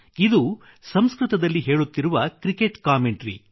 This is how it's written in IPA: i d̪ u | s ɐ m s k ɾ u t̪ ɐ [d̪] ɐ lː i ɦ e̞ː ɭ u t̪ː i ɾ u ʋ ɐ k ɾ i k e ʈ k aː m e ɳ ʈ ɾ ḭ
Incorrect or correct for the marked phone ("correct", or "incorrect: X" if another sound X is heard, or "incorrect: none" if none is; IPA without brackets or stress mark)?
correct